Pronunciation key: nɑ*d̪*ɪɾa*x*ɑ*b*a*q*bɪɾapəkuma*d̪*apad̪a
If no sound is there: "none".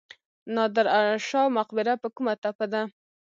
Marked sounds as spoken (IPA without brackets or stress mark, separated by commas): d̪, ʃ, m, q, t̪